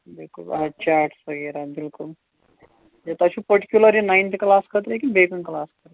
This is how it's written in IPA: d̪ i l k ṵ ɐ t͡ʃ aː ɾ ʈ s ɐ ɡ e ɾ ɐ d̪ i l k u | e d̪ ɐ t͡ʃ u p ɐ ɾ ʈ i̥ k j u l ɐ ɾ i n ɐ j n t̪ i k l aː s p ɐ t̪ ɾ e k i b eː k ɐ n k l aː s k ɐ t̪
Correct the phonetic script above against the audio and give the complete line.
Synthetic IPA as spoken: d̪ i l k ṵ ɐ t͡ʃ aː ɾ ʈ s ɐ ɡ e ɾ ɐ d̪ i l k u | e t̪ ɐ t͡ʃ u p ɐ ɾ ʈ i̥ k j u l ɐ ɾ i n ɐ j n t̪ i k l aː s k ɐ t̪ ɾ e k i b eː k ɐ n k l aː s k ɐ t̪